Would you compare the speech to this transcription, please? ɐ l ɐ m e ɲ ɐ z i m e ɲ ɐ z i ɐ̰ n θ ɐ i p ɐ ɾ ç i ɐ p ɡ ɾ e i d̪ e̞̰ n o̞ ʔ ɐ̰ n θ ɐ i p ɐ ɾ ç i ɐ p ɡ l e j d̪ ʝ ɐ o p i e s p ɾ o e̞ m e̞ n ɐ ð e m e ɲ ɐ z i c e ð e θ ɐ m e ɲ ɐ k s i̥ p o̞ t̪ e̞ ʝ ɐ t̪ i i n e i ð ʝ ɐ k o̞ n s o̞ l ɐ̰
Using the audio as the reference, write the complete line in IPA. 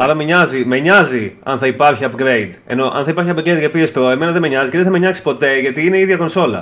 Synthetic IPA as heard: ɐ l ɐ m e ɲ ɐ z i m e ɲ ɐ z i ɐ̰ n θ ɐ i p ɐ ɾ ç i ɐ p ɡ ɾ e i d̪ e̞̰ n o̞ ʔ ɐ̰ n θ ɐ i p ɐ ɾ ç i ɐ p ɡ ɾ e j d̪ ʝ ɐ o p i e s p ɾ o e̞ m e̞ n ɐ ð e m e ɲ ɐ z i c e ð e θ ɐ m e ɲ ɐ k s i̥ p o̞ t̪ e̞ ʝ ɐ t̪ i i n e i ð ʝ ɐ k o̞ n s o̞ l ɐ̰